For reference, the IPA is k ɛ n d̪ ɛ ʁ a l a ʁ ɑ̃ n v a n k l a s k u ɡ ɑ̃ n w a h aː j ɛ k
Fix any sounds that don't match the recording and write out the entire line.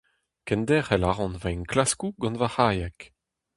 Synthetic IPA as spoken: k ɛ n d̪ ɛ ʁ ɛ l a ʁ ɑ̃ n v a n k l a s k u ɡ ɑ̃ n v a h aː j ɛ k